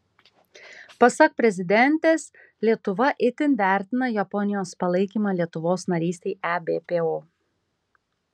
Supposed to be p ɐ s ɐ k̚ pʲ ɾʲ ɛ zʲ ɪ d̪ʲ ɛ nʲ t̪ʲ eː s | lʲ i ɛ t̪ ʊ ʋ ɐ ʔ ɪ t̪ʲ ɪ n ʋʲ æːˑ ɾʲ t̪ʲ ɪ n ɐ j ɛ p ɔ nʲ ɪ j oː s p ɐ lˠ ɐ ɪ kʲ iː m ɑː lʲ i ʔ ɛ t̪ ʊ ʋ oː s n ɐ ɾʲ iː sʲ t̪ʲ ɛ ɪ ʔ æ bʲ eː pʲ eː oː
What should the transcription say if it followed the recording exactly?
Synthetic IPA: p ɐ s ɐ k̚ pʲ ɾʲ ɛ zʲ ɪ d̪ʲ ɛ nʲ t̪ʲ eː s | lʲ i ɛ t̪ ʊ ʋ ɐ ʔ ɪ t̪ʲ ɪ n ʋʲ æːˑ ɾʲ t̪ʲ ɪ n ɐ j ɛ p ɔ nʲ ɪ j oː s p ɐ lˠ ɐ ɪ kʲ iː m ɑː lʲ i ɛ t̪ ʊ ʋ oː s n ɐ ɾʲ iː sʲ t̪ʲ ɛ ɪ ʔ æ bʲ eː pʲ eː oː